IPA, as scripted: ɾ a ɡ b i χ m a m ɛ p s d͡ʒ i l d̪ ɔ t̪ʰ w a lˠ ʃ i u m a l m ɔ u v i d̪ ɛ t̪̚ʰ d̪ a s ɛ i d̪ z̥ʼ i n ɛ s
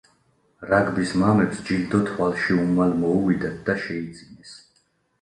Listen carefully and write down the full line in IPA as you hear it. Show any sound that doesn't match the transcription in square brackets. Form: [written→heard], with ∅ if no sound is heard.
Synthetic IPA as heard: ɾ a ɡ b i [χ→s] m a m ɛ p s d͡ʒ i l d̪ ɔ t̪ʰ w a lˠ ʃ i u m a l m ɔ u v i d̪ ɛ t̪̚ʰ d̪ a [s→ʃ] ɛ i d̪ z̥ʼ i n ɛ s